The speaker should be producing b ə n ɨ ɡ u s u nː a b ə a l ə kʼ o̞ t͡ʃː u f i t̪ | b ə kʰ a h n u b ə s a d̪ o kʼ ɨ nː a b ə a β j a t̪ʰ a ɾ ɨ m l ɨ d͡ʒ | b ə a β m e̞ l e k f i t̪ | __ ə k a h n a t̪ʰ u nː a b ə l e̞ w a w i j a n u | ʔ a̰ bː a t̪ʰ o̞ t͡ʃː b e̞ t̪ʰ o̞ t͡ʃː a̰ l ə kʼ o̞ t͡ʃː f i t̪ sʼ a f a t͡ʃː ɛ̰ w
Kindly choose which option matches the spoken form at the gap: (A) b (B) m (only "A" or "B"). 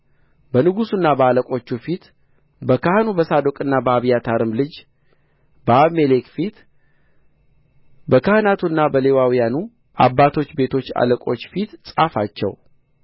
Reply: A